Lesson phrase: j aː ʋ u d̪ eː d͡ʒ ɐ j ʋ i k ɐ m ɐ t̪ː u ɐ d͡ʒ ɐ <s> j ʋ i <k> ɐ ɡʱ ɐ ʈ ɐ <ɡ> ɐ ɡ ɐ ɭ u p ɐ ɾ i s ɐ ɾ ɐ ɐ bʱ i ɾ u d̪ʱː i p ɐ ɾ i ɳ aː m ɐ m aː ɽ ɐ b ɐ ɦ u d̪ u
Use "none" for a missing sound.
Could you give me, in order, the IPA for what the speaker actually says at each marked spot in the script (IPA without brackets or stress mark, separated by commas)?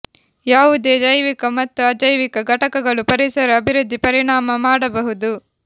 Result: none, k, k